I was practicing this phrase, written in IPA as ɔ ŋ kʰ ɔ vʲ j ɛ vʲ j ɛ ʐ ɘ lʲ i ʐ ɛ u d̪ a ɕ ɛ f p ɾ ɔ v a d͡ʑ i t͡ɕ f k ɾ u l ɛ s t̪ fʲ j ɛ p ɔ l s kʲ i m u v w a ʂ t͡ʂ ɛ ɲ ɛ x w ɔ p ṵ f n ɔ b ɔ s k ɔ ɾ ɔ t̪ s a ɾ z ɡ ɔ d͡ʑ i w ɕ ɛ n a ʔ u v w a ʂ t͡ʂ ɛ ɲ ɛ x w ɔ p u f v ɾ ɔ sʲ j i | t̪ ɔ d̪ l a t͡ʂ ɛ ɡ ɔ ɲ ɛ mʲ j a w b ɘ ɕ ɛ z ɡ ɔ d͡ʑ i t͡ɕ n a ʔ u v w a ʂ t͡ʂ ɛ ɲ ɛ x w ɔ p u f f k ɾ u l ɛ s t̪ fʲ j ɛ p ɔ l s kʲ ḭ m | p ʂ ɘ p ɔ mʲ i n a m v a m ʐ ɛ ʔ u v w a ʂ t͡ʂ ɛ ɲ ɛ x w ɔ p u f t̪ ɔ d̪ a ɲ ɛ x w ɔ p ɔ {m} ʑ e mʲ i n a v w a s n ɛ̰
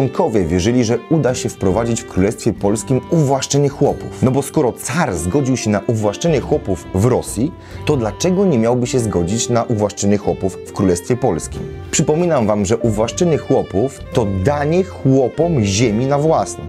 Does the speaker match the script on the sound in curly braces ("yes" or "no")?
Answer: yes